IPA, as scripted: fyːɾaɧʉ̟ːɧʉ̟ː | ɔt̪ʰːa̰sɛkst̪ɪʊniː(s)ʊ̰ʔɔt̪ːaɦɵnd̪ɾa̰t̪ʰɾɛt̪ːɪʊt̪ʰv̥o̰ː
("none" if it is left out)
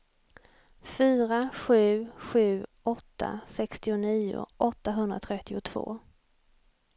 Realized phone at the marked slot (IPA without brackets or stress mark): none